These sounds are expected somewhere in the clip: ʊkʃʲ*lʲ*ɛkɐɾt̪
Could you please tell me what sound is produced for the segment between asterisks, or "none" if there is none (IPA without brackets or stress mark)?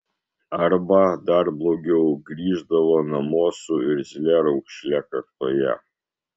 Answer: lʲ